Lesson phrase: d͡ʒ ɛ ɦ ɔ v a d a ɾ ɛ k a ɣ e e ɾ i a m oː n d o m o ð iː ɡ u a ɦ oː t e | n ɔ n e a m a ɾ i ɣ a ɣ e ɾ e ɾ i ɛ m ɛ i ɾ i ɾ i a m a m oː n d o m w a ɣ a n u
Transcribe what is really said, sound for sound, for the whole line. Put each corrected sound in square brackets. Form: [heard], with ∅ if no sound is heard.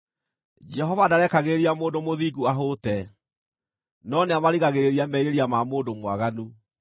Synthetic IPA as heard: d͡ʒ ɛ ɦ ɔ v a d a ɾ ɛ k a ɣ e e ɾ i a m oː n d o m o ð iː ɡ u a ɦ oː t [ɛ] | n ɔ n e a m a ɾ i ɣ a ɣ e ɾ e ɾ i [a] m ɛ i ɾ [e] ɾ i a m a m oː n d o m w a ɣ a n u